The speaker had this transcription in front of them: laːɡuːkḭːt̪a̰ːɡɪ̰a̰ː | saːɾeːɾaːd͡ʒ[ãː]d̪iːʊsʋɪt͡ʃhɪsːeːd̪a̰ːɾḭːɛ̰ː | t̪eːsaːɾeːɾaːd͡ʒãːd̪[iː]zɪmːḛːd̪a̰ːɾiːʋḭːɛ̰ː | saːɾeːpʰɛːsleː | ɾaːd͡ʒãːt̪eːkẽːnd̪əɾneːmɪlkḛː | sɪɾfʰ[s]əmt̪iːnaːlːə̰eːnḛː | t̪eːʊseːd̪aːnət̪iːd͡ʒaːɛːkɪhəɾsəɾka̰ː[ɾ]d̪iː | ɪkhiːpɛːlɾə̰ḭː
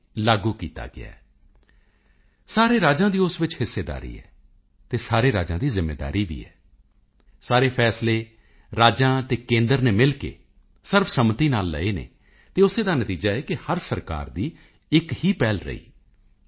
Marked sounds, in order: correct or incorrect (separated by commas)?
correct, correct, correct, correct